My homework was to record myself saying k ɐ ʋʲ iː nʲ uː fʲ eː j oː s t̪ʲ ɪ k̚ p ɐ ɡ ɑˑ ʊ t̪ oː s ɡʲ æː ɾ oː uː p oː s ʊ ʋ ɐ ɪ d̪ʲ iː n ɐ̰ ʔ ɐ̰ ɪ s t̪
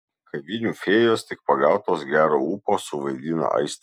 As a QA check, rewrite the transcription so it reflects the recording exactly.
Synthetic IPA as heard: k ɐ ʋʲ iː nʲ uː fʲ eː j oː s t̪ʲ ɪ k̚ p ɐ ɡ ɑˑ ʊ t̪ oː s ɡʲ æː ɾ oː uː p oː s ʊ ʋ ɐ ɪ d̪ʲ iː n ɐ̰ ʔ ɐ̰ ɪ s t̪